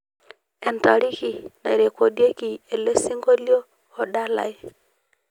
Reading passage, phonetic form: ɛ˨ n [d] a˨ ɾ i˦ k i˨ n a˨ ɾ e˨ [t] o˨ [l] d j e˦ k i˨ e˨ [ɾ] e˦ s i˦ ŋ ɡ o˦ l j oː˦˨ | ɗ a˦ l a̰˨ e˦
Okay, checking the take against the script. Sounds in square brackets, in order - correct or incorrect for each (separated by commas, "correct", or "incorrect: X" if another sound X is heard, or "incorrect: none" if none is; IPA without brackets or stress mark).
incorrect: t, incorrect: k, incorrect: none, incorrect: l